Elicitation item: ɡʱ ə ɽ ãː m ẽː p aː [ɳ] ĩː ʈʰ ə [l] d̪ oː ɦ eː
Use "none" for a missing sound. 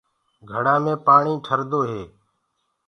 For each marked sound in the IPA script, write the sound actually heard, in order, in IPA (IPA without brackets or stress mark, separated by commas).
ɳ, ɾ